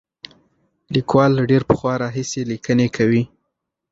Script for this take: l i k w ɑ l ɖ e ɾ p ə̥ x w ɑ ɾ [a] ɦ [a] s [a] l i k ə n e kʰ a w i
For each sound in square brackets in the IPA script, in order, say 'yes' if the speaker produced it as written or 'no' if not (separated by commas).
no, no, no